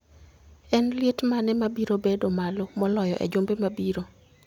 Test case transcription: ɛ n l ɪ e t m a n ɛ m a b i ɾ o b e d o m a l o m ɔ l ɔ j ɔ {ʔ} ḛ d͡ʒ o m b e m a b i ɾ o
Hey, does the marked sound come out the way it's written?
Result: yes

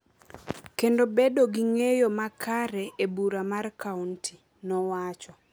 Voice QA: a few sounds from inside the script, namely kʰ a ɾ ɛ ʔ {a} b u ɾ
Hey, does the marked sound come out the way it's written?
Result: no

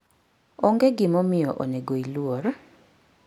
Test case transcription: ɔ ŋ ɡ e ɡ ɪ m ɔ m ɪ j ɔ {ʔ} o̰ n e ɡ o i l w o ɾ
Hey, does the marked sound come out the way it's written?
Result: yes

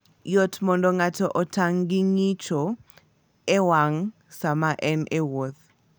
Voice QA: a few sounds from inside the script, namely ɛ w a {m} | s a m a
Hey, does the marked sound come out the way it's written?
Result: no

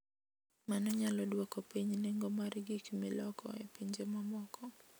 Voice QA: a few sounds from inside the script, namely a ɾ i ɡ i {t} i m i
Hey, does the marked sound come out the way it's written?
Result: no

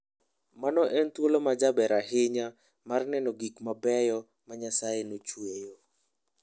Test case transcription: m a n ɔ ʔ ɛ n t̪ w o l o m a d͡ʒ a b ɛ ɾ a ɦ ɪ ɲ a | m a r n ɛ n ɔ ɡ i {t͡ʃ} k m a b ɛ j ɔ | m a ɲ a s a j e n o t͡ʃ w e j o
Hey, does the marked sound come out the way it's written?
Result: no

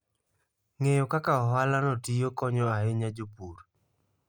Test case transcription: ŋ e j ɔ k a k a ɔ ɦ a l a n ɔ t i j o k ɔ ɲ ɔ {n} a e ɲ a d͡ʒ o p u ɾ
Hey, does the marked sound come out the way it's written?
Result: no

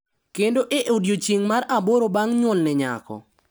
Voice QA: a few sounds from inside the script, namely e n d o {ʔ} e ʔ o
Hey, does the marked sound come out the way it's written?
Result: yes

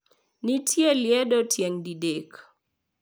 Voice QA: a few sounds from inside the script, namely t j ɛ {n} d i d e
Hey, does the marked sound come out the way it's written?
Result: no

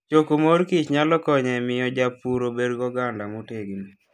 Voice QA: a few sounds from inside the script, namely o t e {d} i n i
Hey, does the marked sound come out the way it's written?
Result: no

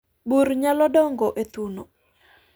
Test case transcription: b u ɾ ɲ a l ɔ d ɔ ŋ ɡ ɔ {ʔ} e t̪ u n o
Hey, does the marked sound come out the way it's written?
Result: yes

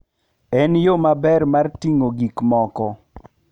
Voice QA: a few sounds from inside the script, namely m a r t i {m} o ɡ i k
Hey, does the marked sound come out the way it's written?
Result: no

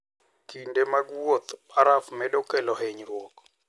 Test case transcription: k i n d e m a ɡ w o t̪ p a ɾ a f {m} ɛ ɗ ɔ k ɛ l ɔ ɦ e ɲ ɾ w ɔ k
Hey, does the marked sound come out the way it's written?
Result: yes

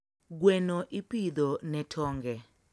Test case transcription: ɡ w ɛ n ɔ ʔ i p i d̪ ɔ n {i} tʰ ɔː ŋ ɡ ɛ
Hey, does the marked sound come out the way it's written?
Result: no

